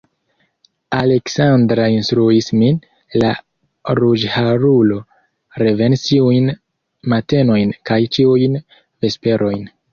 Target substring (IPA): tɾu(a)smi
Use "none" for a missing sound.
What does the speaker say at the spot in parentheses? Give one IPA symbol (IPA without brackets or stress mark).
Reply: i